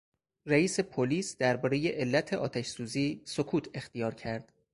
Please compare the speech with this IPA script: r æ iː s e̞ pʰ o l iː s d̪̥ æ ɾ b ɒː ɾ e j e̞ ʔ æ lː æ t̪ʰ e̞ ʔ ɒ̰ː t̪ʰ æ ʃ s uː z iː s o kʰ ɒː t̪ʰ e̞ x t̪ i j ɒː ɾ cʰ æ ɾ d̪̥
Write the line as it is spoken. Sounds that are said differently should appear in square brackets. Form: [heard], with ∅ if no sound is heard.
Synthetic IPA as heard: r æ iː s e̞ pʰ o l iː s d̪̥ æ ɾ b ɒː ɾ e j e̞ ʔ [e] lː æ t̪ʰ e̞ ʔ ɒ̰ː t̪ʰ æ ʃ s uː z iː s o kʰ [uː] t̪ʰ e̞ x t̪ i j ɒː ɾ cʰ æ ɾ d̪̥